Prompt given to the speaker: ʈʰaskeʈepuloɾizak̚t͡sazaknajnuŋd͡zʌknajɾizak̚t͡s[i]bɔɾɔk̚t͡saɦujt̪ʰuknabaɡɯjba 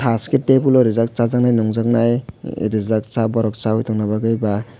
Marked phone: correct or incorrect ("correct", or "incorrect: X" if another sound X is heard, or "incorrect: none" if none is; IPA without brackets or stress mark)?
incorrect: a